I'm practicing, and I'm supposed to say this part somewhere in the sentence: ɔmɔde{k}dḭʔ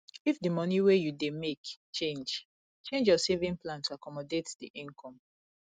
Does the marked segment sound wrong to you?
yes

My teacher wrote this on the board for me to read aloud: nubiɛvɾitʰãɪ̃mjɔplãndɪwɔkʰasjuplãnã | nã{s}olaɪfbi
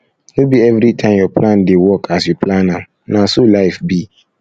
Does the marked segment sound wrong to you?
no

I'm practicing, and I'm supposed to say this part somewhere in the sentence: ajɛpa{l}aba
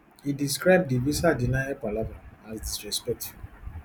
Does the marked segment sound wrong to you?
no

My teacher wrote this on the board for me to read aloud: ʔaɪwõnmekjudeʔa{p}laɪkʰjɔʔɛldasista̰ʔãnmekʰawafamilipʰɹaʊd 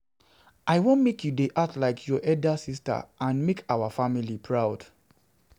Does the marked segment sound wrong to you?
yes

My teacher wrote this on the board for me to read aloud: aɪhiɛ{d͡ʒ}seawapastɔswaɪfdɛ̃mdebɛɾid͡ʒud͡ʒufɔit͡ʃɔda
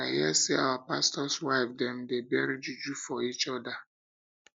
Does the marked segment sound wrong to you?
yes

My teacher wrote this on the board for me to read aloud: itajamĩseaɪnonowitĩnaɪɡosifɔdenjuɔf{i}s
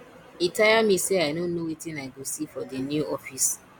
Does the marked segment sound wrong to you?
no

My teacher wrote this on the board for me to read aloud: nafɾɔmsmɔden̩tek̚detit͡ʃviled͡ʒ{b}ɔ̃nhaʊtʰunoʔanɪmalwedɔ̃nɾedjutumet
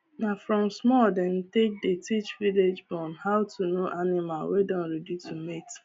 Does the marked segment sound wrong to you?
no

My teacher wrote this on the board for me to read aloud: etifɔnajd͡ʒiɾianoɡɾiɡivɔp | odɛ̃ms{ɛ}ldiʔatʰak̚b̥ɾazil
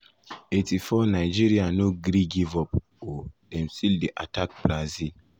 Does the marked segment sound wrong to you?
yes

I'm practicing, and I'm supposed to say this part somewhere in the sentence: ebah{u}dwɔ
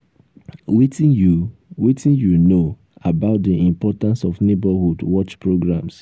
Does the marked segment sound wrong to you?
no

